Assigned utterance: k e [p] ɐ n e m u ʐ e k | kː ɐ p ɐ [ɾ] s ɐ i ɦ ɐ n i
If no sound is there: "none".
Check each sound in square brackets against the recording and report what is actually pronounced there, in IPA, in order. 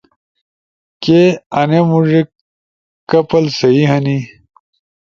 none, l

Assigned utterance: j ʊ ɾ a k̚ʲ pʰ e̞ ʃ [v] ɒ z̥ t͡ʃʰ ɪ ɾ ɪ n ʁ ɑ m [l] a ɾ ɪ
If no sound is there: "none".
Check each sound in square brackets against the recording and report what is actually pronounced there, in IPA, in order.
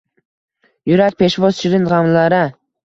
v, l

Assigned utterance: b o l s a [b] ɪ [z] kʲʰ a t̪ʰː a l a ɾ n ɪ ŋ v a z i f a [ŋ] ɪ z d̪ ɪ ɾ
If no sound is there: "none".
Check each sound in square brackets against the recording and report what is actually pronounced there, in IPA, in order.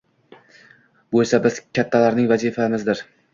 b, z, m

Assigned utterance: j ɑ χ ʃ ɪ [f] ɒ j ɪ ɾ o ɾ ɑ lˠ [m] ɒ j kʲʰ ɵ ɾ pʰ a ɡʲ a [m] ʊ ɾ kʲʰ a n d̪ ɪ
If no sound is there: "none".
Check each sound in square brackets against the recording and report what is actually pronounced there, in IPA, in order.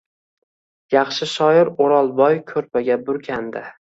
ʃ, b, b

